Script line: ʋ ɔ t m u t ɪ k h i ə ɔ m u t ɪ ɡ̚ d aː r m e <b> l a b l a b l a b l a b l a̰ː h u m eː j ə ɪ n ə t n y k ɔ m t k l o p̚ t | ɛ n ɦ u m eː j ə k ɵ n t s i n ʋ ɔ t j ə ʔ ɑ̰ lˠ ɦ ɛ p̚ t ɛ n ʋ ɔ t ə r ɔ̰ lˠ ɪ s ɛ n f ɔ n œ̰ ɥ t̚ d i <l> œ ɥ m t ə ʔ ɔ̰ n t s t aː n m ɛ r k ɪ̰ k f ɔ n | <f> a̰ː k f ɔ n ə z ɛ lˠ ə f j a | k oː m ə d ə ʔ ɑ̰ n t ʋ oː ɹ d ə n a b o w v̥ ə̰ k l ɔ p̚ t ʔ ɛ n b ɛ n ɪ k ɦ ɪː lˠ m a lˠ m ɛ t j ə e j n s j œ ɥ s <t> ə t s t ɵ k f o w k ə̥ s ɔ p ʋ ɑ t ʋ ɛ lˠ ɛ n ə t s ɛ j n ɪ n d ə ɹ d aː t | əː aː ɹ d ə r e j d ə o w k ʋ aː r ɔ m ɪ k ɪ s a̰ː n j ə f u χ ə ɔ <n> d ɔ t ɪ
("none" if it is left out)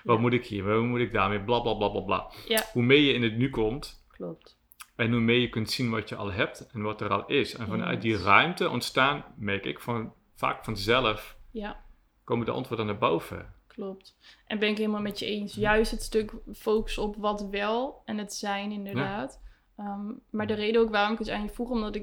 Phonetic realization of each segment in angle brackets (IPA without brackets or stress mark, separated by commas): b, r, f, t, m